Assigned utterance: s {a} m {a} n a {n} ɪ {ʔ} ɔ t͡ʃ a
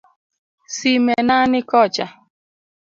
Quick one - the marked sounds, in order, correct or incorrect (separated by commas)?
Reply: incorrect, incorrect, correct, incorrect